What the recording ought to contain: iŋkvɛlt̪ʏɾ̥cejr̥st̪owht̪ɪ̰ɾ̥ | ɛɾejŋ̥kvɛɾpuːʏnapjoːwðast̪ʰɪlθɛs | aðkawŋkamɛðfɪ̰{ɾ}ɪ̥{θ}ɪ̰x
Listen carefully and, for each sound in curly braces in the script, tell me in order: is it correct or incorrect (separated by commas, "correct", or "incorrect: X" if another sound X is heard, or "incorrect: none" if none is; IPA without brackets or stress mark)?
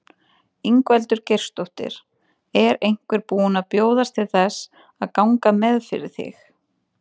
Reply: correct, correct